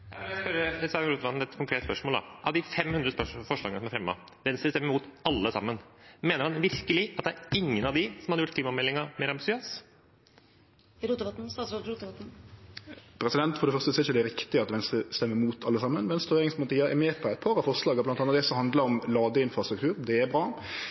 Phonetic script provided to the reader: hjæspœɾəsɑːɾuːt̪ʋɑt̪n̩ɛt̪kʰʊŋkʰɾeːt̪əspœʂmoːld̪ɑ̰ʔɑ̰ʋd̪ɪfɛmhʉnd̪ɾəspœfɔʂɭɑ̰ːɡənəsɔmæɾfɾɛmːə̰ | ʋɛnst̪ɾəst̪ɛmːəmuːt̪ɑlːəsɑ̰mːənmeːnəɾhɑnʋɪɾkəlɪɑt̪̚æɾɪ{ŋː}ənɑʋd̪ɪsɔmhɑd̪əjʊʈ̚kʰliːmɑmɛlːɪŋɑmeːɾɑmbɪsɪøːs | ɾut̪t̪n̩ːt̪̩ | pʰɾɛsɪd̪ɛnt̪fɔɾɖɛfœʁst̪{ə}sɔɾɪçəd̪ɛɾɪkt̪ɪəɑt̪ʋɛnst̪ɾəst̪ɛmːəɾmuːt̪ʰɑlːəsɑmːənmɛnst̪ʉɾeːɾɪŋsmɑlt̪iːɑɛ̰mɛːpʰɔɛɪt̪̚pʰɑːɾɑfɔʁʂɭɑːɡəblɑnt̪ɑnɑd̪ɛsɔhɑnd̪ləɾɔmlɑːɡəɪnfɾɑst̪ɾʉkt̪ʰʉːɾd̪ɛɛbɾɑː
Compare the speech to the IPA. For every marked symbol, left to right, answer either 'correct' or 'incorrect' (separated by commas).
correct, correct